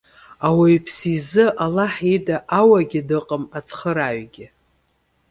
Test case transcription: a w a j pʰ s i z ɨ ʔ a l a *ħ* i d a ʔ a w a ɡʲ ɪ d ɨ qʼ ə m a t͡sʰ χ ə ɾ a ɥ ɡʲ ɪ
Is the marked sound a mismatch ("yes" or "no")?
no